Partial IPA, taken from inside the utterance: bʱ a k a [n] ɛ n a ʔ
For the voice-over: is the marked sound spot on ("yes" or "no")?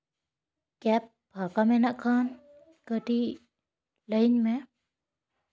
no